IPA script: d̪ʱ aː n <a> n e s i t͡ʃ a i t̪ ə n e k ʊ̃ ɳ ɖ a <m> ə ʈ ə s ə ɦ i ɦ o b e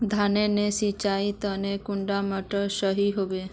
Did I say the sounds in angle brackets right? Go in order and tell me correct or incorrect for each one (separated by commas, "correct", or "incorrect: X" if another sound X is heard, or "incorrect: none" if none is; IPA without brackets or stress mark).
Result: incorrect: e, correct